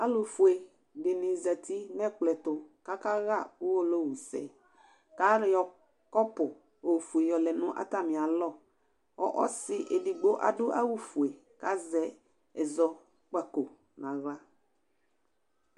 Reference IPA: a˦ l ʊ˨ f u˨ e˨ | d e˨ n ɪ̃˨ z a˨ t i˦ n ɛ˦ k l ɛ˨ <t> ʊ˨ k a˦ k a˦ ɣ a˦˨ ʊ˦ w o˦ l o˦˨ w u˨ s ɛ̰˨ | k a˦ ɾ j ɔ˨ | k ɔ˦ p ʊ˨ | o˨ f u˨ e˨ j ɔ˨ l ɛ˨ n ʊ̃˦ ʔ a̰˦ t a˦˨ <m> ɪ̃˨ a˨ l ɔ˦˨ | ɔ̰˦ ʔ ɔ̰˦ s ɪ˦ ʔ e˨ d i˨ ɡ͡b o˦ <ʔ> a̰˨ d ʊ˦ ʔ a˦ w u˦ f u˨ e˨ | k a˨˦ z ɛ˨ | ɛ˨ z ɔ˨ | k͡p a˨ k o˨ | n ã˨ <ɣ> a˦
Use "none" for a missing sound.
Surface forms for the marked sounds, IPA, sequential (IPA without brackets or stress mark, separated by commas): t, m, ʔ, ɣ